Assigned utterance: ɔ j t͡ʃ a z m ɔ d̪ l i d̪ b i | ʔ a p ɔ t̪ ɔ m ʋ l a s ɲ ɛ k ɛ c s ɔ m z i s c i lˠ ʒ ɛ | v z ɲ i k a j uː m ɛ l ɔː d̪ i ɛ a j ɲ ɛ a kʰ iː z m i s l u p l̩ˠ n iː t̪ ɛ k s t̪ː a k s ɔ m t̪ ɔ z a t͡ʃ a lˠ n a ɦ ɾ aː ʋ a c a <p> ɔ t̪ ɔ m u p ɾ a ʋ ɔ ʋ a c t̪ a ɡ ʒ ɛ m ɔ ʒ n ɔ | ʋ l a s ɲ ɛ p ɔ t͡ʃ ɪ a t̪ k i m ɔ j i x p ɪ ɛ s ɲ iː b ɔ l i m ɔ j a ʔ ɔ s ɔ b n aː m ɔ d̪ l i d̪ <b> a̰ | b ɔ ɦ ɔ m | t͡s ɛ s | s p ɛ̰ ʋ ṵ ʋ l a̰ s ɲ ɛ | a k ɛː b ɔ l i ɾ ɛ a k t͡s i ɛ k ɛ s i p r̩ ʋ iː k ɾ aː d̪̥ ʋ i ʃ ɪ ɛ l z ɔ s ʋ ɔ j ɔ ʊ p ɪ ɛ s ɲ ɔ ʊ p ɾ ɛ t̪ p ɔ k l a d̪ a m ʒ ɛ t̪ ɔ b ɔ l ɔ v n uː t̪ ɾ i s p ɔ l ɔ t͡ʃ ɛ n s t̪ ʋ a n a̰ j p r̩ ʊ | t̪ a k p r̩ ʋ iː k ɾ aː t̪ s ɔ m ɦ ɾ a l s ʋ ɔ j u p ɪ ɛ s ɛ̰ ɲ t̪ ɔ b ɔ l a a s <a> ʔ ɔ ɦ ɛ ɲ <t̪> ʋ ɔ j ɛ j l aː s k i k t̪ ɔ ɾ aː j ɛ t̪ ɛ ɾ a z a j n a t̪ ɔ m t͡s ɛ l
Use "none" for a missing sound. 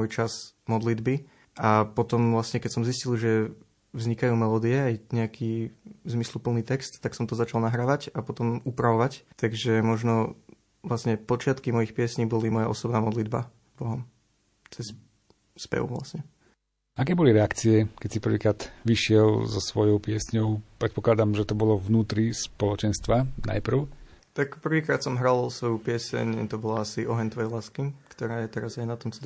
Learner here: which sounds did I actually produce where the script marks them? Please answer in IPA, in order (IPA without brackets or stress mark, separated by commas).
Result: p, b, i, t̪